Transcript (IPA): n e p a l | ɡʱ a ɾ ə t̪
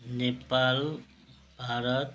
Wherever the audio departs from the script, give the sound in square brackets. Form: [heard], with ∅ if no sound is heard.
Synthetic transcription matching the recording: n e p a l | [bʱ] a ɾ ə t̪